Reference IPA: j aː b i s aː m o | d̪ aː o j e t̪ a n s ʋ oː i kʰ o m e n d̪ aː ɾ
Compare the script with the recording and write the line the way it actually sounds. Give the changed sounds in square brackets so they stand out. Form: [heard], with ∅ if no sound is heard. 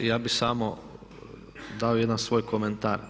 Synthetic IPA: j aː b i s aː m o | d̪ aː o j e [d̪] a n s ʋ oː [j] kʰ o m e n [t̪] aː ɾ